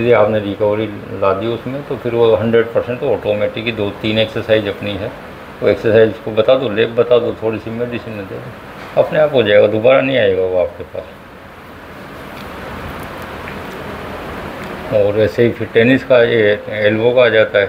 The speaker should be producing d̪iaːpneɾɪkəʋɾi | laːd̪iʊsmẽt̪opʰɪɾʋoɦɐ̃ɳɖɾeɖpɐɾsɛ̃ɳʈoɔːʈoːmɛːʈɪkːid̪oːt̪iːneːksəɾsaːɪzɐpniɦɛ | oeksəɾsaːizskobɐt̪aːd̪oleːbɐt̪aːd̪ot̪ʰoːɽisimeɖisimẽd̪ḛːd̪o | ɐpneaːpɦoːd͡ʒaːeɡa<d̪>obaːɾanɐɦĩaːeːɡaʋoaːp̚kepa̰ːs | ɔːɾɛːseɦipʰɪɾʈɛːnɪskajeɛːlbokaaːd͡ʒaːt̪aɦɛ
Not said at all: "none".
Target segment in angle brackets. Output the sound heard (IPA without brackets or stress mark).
d̪